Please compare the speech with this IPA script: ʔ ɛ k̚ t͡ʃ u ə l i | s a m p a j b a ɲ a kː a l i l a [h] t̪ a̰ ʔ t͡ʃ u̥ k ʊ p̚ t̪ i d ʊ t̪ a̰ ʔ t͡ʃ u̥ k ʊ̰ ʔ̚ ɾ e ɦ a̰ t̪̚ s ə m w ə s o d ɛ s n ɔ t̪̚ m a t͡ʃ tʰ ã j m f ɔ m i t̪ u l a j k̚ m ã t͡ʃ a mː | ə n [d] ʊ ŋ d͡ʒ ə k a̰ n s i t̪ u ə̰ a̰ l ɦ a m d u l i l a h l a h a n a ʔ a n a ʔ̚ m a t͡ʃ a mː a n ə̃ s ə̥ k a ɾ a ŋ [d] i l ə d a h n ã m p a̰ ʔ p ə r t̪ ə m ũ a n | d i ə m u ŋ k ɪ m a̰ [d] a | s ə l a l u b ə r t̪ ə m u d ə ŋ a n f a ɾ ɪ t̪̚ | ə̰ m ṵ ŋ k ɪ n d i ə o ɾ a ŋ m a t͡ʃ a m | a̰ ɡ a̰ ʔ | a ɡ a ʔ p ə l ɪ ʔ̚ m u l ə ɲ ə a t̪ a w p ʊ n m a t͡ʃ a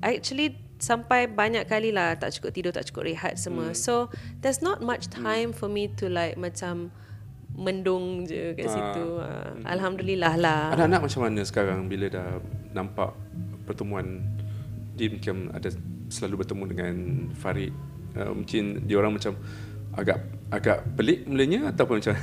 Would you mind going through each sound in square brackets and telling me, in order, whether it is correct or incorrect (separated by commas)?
correct, correct, incorrect, correct